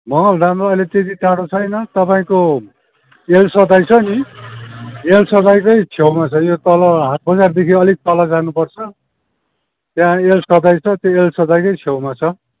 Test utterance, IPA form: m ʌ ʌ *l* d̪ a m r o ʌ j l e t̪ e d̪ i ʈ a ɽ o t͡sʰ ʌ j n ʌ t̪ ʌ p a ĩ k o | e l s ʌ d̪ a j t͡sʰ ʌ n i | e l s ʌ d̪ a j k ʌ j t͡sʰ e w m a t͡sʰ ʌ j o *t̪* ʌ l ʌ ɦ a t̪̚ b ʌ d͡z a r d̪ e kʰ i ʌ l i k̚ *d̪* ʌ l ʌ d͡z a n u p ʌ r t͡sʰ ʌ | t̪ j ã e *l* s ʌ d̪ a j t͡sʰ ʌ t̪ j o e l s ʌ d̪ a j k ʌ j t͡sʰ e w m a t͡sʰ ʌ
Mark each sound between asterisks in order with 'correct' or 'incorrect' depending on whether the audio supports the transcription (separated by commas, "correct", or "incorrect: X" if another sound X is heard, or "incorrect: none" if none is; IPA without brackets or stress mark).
correct, correct, incorrect: t̪, correct